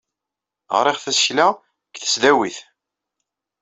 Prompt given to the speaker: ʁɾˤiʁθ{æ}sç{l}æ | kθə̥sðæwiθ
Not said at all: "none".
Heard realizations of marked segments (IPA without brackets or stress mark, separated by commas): æ, l